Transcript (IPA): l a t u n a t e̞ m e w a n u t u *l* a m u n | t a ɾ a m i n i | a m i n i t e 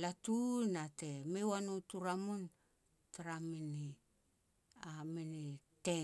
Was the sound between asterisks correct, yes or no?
no